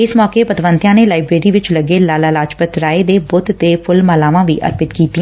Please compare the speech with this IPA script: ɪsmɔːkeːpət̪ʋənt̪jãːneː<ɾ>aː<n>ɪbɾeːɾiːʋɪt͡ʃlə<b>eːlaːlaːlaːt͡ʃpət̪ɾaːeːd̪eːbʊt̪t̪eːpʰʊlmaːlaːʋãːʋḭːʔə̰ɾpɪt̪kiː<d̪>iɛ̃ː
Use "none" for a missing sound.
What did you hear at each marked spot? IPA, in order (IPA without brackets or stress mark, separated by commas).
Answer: l, none, ɡ, t̪